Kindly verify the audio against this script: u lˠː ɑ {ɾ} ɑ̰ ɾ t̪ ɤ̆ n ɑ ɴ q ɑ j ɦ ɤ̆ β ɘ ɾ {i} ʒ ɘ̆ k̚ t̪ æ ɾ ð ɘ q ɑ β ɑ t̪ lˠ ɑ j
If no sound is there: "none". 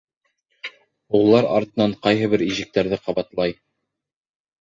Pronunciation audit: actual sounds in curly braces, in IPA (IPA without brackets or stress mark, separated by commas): ɾ, i